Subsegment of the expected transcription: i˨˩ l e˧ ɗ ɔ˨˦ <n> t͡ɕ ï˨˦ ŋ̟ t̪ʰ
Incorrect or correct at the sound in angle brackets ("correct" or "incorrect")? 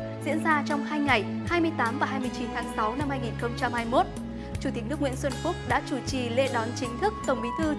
correct